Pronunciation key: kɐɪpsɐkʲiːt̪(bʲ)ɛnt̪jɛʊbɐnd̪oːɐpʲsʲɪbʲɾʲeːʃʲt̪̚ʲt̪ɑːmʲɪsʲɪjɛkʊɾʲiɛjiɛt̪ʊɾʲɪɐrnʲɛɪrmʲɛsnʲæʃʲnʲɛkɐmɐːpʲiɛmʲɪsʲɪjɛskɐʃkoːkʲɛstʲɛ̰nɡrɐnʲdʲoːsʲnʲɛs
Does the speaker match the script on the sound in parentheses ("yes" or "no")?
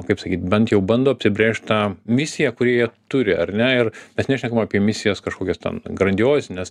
yes